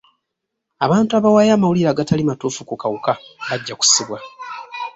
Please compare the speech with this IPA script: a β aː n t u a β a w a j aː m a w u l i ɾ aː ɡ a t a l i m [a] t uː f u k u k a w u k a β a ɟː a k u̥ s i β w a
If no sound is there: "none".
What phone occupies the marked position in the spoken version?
a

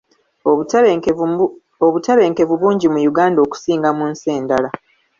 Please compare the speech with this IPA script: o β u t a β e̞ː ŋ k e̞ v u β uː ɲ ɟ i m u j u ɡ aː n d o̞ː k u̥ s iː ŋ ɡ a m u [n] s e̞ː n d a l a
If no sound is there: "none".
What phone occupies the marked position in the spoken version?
n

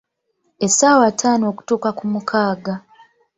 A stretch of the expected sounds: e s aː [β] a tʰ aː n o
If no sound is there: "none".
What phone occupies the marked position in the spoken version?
w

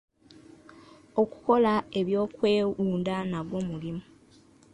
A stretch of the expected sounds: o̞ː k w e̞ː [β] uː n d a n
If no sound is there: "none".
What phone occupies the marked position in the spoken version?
none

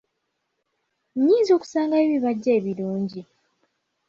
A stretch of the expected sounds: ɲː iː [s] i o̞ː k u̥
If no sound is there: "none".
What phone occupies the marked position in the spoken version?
z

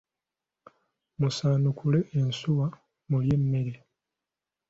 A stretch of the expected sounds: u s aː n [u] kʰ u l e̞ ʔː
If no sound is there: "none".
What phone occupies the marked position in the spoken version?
u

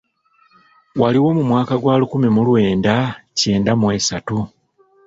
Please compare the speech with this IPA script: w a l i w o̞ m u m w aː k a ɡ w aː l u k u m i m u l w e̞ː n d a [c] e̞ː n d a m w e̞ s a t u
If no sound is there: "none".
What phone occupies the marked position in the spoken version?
c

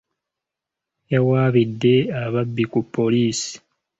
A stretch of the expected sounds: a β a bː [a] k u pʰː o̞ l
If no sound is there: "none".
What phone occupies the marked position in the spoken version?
i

